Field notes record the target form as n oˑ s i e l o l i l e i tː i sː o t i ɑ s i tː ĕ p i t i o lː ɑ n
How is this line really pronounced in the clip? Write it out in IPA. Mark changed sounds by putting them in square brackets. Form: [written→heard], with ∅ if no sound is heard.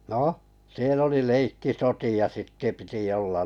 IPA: n oˑ s i e l o l i l e i [tː→kː] i [sː→s] o t i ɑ s i tː ĕ p i t i o lː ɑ n